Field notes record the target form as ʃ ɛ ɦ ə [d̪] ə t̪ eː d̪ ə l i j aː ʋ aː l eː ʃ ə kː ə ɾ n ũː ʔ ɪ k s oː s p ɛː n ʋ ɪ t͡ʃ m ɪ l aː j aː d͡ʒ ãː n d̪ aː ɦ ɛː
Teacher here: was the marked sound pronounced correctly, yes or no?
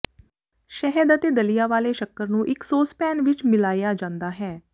yes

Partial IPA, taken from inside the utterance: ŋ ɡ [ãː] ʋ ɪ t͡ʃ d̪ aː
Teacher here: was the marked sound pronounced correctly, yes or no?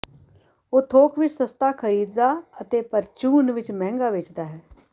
no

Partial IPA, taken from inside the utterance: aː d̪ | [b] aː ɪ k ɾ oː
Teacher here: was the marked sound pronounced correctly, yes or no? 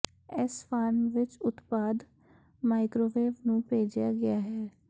no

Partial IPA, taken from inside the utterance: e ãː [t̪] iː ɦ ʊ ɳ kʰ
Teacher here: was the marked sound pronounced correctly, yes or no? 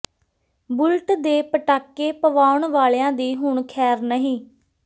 no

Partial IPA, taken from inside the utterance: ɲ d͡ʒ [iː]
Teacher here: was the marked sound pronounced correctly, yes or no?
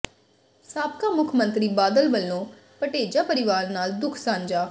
no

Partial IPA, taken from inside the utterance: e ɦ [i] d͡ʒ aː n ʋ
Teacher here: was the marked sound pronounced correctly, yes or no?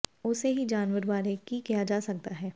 yes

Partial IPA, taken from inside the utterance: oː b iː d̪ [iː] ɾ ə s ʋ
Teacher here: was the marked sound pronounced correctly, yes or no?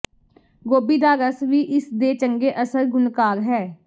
no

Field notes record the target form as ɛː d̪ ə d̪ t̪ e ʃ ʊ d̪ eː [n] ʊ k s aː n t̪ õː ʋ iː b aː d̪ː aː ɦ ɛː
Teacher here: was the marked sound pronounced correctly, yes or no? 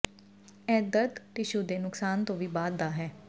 yes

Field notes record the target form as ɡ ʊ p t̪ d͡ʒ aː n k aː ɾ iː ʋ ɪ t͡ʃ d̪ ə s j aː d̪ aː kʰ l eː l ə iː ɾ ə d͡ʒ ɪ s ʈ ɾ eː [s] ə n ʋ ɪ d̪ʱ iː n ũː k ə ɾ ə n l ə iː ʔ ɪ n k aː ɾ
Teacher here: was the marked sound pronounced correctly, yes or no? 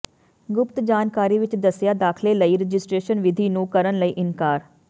no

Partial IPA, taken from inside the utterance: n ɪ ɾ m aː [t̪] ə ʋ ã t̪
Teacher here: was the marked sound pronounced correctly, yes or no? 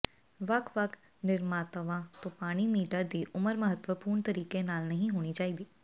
yes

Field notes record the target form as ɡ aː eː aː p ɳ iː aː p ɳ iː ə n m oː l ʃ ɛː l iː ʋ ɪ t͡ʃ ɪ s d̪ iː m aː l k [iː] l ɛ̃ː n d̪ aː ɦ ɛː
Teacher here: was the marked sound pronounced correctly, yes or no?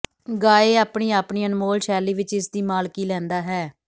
yes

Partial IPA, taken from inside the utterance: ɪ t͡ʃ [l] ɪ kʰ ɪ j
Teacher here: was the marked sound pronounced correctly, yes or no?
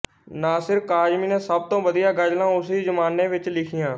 yes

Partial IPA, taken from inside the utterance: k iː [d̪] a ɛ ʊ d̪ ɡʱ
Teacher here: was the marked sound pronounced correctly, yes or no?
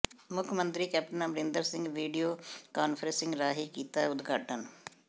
no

